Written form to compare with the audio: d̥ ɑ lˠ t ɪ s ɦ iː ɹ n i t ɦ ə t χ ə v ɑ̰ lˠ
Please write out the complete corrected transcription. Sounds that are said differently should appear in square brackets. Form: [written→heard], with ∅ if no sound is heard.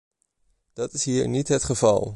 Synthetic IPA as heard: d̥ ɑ [lˠ→∅] t ɪ s ɦ iː ɹ n i t ɦ ə t χ ə v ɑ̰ lˠ